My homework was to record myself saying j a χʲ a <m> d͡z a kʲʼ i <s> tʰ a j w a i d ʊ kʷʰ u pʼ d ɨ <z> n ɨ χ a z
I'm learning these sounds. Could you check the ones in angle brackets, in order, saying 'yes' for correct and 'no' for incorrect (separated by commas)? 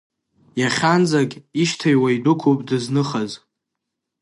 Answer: no, no, yes